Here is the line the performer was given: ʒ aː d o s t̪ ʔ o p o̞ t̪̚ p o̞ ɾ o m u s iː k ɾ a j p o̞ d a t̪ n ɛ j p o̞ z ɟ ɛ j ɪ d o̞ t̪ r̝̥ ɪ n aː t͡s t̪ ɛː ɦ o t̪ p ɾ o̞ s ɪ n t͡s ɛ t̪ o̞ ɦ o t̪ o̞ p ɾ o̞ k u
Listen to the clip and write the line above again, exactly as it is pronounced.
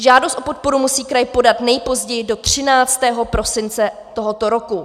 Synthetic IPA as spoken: ʒ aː d o s t̪ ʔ o p o̞ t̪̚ p o̞ ɾ u m u s iː k ɾ a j p o̞ d a t̪ n ɛ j p o̞ z ɟ ɛ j ɪ d o̞ t̪ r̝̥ ɪ n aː t͡s t̪ ɛː ɦ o p ɾ o̞ s ɪ n t͡s ɛ t̪ o̞ ɦ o t̪ o̞ ɾ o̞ k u